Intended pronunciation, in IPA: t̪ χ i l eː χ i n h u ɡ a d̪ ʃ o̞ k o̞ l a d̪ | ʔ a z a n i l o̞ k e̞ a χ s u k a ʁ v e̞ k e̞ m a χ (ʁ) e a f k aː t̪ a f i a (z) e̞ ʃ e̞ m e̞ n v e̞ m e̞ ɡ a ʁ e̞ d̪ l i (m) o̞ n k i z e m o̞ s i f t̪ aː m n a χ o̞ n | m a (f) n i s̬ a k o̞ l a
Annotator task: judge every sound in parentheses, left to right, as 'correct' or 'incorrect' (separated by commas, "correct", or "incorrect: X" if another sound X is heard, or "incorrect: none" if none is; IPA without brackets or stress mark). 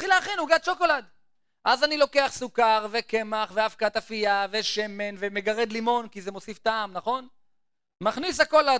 incorrect: v, incorrect: v, correct, incorrect: χ